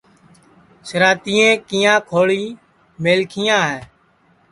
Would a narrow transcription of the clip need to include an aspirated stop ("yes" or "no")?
yes